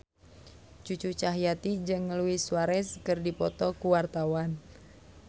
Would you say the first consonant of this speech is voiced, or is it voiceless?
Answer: voiceless